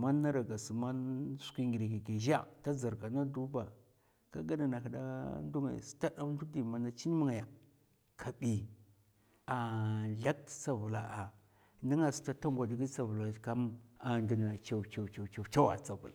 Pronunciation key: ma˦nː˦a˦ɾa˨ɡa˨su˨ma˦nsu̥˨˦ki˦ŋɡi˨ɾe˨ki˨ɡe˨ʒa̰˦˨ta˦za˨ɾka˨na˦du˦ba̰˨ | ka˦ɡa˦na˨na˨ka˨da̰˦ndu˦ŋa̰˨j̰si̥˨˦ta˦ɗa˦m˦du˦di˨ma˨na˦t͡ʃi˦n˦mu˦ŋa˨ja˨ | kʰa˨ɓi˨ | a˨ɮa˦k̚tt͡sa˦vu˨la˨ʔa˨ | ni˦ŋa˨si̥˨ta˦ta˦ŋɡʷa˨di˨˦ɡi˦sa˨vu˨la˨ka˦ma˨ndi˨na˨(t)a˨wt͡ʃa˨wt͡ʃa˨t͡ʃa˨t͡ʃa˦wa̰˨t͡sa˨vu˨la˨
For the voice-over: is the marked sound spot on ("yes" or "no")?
no